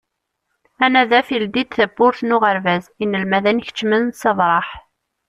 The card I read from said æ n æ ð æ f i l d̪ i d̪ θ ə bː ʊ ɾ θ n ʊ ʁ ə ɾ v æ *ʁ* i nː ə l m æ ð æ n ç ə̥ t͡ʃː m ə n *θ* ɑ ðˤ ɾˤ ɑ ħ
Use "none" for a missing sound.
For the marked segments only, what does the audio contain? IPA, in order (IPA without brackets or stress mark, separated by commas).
z, s